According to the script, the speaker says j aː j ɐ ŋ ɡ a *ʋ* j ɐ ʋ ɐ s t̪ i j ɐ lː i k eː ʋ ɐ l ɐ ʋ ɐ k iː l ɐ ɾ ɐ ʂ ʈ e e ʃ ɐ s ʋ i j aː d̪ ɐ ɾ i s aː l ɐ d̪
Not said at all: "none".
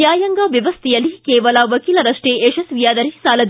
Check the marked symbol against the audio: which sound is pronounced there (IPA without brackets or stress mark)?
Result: ʋ